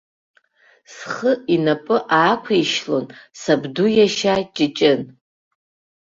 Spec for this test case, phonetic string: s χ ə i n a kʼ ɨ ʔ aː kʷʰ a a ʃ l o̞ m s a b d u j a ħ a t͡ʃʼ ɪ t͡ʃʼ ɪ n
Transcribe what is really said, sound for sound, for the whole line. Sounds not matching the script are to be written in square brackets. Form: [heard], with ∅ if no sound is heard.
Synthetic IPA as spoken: s χ ə i n a [pʼ] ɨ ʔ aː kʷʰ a [i] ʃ l o̞ [n] s a b d u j a [ʃ] a t͡ʃʼ ɪ t͡ʃʼ ɪ n